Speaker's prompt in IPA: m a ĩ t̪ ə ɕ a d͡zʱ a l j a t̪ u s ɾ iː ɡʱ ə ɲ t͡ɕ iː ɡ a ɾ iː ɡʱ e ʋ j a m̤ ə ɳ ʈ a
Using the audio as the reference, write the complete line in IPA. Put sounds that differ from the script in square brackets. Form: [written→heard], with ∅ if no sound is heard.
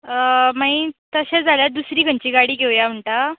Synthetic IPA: m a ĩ t̪ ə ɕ a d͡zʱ a l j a [t̪→d̪] u s ɾ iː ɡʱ ə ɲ t͡ɕ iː ɡ a [ɾ→ɽ] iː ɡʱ e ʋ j a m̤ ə ɳ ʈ a